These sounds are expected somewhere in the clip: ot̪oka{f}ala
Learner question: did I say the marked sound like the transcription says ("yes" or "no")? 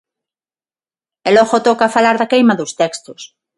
yes